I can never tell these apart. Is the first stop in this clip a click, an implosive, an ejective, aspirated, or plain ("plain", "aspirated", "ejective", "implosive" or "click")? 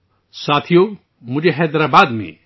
aspirated